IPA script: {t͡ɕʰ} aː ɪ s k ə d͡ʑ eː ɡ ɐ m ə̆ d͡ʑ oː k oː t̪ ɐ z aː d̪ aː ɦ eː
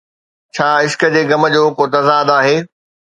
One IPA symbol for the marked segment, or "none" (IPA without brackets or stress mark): t͡ɕʰ